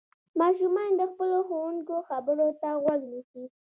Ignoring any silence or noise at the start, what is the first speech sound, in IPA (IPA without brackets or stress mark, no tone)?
m